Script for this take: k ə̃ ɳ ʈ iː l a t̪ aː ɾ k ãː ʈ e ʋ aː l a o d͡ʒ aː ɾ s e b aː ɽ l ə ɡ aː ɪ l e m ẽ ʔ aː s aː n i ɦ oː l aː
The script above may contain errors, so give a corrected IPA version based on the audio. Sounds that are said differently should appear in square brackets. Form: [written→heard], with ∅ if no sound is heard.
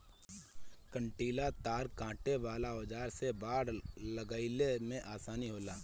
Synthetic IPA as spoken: k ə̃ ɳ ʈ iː l a t̪ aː ɾ k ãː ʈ e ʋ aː l a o d͡ʒ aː ɾ s e b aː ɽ l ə ɡ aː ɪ l e m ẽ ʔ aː s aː n i ɦ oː l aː

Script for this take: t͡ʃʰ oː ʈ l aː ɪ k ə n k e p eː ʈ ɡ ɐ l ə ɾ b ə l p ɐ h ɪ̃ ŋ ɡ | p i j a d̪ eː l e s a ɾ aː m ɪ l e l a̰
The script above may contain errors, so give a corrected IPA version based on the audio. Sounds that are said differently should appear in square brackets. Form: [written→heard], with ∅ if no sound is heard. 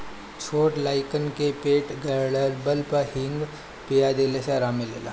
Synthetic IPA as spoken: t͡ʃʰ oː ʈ l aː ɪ k ə n k e p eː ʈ ɡ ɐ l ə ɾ b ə l p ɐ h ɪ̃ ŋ ɡ | p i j a d̪ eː l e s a ɾ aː m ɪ l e l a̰

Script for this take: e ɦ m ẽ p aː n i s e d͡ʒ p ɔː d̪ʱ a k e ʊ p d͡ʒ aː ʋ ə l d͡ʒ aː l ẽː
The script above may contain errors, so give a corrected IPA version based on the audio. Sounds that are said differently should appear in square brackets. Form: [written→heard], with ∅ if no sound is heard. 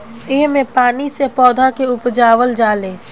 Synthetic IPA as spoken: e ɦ m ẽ p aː n i s e [d͡ʒ→∅] p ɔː d̪ʱ a k e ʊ p d͡ʒ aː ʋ ə l d͡ʒ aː l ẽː

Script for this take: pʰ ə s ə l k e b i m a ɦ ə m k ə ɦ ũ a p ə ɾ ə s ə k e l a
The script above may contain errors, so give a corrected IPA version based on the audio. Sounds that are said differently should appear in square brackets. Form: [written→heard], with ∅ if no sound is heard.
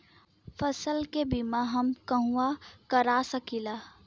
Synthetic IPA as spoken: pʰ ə s ə l k e b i m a ɦ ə m k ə ɦ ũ a [p→k] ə ɾ [ə→a] s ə k [e→i] l a

